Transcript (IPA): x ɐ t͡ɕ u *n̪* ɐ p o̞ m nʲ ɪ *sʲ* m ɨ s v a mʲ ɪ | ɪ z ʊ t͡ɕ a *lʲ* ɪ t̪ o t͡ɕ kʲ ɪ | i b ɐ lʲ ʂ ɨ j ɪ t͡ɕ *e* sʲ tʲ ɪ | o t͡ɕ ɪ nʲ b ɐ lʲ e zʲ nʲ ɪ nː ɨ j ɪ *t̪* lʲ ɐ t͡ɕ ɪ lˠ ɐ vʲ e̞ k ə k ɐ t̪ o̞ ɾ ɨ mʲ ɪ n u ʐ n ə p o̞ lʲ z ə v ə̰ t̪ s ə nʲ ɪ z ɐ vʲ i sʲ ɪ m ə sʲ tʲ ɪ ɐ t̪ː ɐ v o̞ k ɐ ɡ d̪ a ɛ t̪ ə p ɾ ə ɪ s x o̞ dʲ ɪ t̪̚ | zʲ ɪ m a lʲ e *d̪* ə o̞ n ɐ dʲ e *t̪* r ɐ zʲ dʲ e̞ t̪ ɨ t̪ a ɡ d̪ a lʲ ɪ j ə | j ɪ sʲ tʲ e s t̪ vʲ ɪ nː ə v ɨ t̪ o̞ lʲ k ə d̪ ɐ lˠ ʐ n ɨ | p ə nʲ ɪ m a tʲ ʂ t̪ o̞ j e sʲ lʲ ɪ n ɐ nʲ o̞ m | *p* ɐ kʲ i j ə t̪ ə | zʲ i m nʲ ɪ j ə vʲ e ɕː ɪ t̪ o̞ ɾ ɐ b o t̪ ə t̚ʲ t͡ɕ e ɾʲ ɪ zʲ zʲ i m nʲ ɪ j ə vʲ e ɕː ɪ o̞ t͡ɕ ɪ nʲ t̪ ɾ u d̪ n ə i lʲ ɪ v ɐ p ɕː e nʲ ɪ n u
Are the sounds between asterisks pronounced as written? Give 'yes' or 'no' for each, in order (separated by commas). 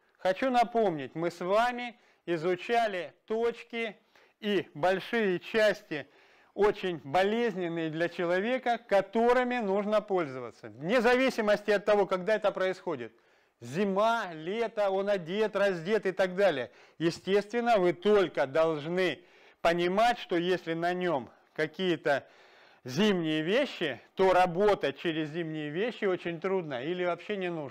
yes, no, yes, no, no, no, yes, no